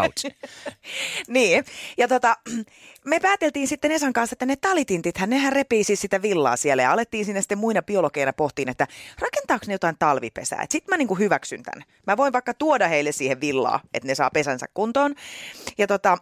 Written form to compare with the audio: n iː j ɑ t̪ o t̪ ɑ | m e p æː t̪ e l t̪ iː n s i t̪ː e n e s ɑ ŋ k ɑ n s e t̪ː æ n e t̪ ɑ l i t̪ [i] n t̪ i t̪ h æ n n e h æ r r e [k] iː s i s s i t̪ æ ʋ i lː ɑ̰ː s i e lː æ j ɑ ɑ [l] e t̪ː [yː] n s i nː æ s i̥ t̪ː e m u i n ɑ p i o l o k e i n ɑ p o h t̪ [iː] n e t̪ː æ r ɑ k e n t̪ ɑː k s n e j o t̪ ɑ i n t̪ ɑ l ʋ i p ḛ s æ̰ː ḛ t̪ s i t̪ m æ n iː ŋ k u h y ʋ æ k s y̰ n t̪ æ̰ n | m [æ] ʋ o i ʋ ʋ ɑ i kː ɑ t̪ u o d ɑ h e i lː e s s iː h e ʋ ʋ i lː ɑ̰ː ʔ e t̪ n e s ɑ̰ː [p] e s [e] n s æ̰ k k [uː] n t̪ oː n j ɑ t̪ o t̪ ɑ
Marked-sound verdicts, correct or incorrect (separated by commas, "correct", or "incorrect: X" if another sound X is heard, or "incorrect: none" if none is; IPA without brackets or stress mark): correct, incorrect: p, correct, incorrect: iː, correct, correct, correct, incorrect: æ, incorrect: u